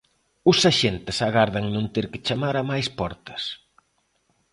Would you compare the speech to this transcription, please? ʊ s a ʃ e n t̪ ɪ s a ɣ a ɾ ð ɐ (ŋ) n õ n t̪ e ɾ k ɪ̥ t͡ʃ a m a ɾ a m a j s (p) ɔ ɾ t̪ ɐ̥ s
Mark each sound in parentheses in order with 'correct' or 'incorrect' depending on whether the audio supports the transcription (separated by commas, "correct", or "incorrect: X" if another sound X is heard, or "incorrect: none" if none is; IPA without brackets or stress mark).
correct, correct